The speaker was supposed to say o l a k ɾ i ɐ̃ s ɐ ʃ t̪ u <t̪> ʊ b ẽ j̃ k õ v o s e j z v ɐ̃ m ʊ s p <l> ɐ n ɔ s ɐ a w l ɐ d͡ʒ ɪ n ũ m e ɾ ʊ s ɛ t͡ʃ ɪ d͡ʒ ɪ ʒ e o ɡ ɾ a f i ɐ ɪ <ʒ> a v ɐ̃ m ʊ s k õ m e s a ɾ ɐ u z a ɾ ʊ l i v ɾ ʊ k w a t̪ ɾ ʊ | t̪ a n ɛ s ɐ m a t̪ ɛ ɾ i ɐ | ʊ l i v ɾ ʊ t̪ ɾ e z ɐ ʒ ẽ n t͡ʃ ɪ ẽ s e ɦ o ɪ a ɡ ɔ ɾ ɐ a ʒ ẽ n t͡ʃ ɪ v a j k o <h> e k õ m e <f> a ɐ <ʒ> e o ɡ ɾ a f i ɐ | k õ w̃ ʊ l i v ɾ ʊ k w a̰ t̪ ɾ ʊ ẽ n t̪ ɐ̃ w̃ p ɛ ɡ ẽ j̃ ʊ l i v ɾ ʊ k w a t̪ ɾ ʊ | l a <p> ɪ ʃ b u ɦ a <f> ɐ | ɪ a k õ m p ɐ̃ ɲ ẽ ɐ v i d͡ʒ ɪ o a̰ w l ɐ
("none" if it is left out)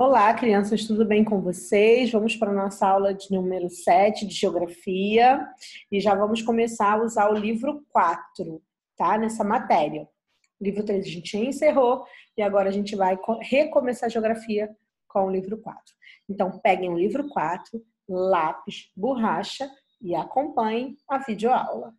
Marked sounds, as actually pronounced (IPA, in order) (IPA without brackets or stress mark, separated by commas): d̪, ɾ, ʒ, h, s, ʒ, p, ʃ